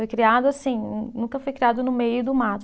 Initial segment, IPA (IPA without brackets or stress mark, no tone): o